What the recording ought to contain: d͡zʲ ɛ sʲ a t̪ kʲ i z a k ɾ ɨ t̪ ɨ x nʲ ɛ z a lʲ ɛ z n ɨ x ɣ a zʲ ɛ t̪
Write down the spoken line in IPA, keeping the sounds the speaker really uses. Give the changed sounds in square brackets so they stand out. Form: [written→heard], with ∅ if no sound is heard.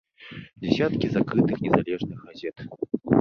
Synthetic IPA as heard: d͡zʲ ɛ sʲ a t̪ kʲ i z a k ɾ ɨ t̪ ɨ x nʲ ɛ z a lʲ ɛ [z→ʐ] n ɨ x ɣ a zʲ ɛ t̪